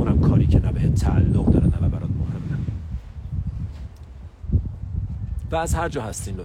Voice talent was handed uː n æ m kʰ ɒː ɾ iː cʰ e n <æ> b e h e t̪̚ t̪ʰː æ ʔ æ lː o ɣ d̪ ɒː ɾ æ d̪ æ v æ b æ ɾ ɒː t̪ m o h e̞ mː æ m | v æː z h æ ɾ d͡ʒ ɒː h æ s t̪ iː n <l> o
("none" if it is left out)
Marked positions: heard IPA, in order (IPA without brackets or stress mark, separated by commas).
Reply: æ, l